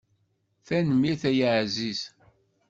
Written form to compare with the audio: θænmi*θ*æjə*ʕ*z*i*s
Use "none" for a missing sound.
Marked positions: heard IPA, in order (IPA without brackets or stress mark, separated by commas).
θ, ʕ, i